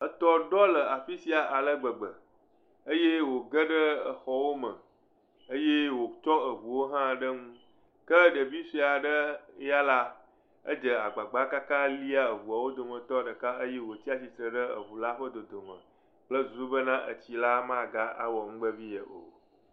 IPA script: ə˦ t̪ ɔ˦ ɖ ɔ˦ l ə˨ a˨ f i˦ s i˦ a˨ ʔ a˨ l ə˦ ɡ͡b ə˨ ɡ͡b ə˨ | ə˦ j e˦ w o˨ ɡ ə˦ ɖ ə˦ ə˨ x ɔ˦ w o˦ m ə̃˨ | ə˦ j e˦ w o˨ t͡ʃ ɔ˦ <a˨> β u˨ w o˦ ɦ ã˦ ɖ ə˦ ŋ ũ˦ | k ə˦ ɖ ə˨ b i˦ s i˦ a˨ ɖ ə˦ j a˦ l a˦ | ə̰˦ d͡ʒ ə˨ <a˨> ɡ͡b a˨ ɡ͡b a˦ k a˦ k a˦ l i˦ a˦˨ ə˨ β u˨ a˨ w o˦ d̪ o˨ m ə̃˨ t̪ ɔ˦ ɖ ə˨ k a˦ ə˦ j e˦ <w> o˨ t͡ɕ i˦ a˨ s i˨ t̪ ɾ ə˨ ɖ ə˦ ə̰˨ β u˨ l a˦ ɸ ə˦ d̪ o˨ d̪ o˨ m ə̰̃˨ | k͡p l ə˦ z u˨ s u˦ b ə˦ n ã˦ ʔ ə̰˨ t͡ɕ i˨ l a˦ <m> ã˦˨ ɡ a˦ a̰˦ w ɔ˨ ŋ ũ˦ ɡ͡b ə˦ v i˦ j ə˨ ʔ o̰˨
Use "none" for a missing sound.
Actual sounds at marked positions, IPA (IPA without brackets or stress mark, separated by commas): ə˨, a˨, w, m